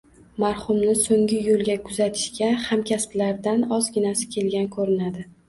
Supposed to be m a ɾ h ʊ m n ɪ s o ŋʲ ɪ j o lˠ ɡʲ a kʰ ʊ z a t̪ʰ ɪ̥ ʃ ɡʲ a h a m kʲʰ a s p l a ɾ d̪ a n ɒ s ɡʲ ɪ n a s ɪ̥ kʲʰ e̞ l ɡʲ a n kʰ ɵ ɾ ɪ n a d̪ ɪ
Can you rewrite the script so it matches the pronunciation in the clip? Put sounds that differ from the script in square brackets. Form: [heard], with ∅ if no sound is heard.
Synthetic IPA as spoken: m a ɾ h ʊ m n ɪ s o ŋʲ ɪ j o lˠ ɡʲ a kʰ ʊ z a t̪ʰ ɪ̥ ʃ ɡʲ a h a m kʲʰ a s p l a ɾ d̪ a n ɒ [z] ɡʲ ɪ n a s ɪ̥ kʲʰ e̞ l ɡʲ a n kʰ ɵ ɾ ɪ n a d̪ ɪ